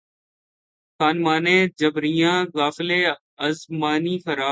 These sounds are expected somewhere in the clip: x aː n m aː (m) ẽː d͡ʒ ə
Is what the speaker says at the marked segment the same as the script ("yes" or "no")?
no